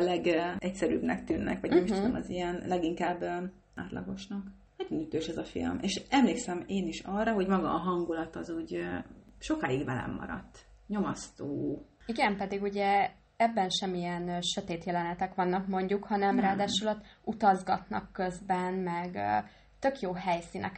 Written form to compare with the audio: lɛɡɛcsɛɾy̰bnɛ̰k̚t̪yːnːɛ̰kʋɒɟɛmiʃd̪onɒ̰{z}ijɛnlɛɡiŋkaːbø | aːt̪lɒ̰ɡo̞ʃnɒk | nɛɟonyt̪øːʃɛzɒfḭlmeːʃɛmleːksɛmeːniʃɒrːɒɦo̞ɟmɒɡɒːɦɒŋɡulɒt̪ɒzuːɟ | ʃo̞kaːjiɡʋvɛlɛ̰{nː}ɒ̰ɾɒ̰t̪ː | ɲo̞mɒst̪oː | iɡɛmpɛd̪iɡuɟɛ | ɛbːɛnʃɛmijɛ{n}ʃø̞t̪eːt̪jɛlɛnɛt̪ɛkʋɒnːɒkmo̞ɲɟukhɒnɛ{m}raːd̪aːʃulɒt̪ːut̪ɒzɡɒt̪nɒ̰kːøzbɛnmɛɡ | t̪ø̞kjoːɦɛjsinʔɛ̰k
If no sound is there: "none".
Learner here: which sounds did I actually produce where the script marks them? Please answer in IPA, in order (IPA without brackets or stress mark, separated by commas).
z, mː, n, m